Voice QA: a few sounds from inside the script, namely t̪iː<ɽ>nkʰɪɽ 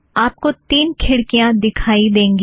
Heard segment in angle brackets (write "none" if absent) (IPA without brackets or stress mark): none